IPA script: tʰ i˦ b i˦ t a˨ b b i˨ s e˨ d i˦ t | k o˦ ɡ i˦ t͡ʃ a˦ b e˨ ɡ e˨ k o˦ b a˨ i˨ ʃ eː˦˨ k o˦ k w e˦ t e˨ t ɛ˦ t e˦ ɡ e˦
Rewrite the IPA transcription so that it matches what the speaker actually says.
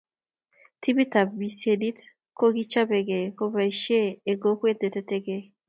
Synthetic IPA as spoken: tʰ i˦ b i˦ t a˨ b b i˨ s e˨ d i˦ t | k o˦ ɡ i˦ t͡ʃ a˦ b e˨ ɡ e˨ k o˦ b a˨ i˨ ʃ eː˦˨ ɡ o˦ k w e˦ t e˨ t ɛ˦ t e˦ ɡ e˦

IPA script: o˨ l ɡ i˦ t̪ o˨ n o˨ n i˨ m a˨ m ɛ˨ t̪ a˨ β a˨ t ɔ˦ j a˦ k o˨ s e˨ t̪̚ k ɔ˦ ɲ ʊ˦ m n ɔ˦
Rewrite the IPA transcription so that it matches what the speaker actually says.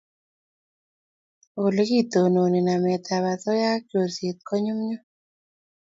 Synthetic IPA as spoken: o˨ l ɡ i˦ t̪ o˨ n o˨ n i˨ n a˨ m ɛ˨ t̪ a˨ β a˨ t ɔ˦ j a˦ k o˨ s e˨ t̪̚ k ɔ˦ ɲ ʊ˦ m ɲ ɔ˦

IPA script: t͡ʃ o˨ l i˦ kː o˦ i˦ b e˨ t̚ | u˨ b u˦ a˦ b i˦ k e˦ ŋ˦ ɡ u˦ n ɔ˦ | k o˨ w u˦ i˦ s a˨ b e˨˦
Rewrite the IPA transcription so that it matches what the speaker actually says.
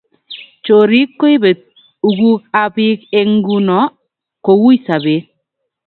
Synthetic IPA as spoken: t͡ʃ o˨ ɾ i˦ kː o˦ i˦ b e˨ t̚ | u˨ ɡ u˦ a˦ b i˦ k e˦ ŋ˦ ɡ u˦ n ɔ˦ | k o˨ w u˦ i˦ s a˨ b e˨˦

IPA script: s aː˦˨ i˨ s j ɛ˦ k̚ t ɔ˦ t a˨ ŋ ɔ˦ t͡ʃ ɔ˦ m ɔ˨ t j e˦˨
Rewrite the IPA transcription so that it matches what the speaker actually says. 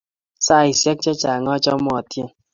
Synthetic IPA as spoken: s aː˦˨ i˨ s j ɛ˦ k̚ t͡ʃ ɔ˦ t͡ʃ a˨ ŋ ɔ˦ t͡ʃ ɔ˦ m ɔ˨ t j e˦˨

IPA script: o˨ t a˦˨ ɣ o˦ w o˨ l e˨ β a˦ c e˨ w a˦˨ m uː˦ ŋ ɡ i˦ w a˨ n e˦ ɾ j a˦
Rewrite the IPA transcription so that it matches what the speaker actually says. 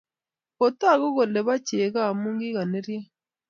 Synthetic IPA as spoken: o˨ t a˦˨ ɣ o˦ ɣ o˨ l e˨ β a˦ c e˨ ɣ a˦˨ m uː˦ ŋ ɡ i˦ ɣ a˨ n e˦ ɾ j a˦

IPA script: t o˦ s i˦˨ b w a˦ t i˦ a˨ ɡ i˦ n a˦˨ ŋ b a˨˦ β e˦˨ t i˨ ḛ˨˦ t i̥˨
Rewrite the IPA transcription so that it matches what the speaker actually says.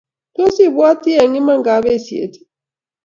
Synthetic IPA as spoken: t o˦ s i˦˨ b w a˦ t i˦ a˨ ŋ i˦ m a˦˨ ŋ ɡ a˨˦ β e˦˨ s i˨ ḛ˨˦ t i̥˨

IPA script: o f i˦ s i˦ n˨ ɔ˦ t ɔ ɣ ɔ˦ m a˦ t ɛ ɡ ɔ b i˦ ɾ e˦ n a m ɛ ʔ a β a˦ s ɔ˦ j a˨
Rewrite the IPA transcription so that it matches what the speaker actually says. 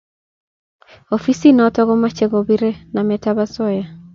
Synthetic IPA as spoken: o f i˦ s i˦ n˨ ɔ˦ t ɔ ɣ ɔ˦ m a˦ t͡ʃ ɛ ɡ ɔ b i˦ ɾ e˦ n a m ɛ t a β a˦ s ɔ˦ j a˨

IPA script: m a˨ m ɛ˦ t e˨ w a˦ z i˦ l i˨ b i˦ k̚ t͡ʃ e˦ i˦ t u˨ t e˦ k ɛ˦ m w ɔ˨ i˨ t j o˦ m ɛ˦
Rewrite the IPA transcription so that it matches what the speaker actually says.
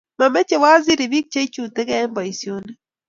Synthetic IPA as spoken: m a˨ m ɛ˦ t͡ʃ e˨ w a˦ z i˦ ɾ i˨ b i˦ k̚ t͡ʃ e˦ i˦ t͡ʃ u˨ t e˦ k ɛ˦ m b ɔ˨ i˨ s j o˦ n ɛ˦

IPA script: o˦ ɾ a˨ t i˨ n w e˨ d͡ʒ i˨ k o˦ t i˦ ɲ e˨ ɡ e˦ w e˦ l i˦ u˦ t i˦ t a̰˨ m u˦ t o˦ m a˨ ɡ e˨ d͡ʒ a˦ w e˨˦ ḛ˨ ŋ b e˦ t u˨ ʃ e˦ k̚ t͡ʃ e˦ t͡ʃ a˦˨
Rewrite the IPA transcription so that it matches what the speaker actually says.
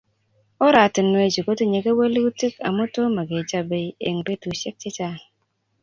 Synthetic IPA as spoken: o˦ ɾ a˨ t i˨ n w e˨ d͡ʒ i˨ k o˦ t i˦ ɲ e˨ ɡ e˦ w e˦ l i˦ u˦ t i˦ k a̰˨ m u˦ t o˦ m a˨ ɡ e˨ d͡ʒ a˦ b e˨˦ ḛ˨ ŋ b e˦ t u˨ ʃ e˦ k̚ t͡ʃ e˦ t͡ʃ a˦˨

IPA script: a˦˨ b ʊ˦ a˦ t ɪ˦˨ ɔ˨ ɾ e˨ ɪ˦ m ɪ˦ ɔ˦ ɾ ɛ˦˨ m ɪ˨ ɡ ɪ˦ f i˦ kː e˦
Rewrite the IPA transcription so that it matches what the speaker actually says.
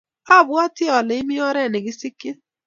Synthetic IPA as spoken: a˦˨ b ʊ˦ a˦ t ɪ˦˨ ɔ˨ l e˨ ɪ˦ m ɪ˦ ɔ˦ ɾ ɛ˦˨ n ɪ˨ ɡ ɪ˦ s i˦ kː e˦

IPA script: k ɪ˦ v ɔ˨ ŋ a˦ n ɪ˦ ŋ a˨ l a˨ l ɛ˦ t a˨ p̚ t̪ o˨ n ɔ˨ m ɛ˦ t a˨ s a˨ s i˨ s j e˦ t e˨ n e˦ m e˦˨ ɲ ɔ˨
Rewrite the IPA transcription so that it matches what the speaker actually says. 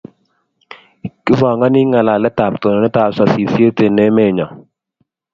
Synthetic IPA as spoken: k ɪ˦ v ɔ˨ ŋ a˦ n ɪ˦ ŋ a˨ l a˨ l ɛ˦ t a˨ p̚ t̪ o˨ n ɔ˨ n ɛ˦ t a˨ s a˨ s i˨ s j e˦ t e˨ n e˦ m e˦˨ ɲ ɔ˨

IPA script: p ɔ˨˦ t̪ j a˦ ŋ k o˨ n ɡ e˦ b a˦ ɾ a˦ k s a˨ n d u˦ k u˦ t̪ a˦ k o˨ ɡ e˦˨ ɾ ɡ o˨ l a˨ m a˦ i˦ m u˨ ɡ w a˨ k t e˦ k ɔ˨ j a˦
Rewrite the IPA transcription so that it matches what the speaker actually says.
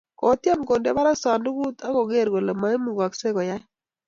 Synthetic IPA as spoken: k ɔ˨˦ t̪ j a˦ m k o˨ n d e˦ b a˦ ɾ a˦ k s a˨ n d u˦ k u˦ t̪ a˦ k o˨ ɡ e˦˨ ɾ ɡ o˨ l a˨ m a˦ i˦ m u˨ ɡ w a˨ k s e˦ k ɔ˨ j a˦

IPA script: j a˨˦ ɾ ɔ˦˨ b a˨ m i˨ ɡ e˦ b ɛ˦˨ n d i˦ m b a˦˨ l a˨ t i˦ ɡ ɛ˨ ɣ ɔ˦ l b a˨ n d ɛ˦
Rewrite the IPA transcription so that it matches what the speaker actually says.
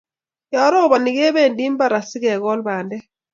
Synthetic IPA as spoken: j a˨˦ ɾ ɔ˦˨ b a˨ n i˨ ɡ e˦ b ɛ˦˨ n d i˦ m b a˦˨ ɾ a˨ s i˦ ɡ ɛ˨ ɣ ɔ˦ l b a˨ n d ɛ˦

